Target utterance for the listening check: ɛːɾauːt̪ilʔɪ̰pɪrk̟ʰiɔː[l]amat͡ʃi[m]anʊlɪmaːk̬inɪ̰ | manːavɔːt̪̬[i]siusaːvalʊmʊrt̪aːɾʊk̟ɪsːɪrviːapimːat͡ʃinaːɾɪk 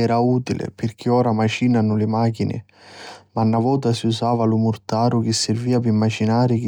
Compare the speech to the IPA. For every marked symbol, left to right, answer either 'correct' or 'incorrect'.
incorrect, incorrect, incorrect

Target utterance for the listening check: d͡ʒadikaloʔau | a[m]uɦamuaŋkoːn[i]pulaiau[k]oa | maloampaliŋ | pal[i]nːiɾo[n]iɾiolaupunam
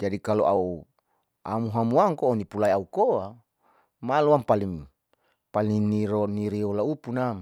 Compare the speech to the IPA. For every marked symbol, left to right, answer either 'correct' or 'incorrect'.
correct, correct, correct, correct, correct

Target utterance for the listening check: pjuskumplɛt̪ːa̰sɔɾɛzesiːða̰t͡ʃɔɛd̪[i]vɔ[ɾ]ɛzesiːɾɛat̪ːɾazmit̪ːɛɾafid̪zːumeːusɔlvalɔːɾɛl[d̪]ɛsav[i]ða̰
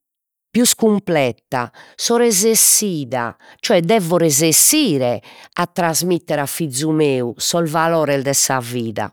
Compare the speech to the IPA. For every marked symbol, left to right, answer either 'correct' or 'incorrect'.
incorrect, correct, correct, incorrect

